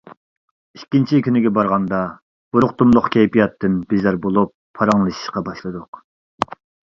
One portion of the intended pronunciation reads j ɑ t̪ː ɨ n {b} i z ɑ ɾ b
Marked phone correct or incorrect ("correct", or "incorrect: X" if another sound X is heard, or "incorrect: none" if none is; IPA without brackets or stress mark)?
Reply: correct